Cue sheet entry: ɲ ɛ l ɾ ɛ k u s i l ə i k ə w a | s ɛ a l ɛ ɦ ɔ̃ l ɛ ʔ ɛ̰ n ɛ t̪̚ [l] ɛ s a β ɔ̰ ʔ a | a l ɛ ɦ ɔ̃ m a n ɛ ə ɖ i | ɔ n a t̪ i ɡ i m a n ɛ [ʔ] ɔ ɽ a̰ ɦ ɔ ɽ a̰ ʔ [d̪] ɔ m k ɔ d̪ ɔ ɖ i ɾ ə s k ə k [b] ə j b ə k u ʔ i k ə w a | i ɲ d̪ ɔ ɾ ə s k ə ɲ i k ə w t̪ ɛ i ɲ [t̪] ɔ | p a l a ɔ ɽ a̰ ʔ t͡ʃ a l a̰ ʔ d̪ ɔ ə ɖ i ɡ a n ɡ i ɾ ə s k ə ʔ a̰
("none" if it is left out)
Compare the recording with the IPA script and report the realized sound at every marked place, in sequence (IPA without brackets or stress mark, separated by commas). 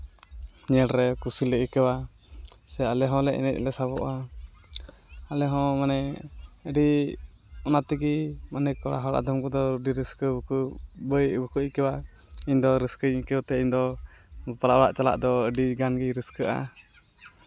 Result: l, k, d̪, b, d̪